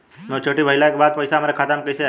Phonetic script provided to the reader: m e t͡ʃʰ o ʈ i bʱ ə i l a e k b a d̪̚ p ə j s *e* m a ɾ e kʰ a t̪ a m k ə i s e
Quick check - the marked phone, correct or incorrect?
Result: incorrect